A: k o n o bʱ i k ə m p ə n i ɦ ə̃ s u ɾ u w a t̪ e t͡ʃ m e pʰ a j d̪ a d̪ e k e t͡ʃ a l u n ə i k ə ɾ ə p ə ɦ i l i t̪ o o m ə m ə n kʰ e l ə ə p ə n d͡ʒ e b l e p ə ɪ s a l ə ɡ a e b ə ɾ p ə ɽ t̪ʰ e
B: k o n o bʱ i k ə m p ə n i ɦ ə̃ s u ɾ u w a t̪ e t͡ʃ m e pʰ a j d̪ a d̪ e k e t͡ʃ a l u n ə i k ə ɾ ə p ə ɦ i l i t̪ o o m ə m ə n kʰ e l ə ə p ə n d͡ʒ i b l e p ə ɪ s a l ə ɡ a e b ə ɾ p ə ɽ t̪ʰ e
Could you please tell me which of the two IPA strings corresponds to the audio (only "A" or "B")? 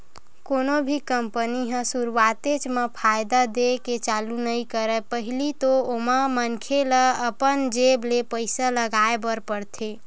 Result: A